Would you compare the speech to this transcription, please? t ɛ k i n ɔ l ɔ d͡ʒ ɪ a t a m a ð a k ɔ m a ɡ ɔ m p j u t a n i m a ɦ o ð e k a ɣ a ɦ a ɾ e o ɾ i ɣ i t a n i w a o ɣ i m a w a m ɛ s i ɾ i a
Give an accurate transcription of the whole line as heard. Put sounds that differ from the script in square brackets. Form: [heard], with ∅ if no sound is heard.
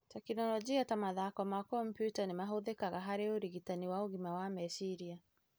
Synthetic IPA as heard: t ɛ k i n ɔ l ɔ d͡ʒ [i] a t a m a ð a k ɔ m a [k] ɔ m p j u t a n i m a ɦ o ð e k a ɣ a ɦ a ɾ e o ɾ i ɣ i t a n i w a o ɣ i m a w a m ɛ s i ɾ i a